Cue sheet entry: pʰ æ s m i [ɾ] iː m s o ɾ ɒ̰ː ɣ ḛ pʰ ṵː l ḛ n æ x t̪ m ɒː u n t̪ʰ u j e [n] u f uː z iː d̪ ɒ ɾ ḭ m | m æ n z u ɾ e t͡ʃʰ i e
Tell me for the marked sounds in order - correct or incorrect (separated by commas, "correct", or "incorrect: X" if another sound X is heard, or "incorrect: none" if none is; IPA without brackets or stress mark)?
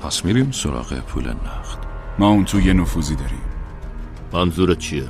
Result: correct, correct